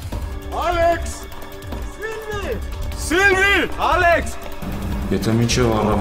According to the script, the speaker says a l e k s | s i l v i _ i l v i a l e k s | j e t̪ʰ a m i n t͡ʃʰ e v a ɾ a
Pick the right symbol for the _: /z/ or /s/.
s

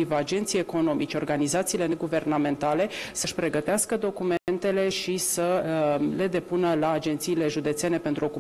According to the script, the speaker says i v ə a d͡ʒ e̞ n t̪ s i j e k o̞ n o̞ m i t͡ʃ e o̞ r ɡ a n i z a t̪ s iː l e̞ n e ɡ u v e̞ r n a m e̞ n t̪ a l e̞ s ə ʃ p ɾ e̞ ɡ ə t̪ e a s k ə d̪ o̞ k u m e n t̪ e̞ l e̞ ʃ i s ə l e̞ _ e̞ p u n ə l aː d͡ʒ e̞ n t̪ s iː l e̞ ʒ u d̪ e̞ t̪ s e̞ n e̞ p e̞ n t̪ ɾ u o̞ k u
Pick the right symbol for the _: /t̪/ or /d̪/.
d̪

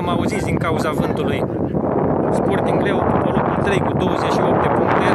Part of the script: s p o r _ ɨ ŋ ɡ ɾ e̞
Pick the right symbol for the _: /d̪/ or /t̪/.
t̪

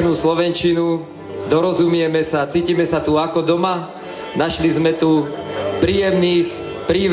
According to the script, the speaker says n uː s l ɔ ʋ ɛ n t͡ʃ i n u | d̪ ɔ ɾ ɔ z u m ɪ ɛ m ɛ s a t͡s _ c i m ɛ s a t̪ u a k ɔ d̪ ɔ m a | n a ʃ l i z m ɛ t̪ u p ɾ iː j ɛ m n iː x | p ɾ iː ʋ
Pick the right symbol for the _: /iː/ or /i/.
iː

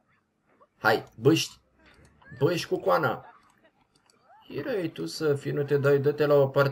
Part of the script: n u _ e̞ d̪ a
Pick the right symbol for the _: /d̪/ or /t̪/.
t̪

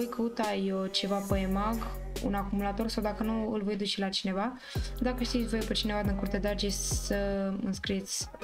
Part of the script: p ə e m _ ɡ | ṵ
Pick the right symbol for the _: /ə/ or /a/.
a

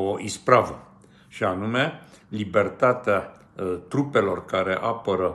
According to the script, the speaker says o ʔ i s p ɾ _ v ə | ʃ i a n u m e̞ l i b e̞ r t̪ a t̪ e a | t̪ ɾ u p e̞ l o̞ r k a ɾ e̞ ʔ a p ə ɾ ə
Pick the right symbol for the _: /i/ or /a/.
a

